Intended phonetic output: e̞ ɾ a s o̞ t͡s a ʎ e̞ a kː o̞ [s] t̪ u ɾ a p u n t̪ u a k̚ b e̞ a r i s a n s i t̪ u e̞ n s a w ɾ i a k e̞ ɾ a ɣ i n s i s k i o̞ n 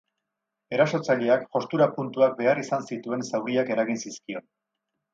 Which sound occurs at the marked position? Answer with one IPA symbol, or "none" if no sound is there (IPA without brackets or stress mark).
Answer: s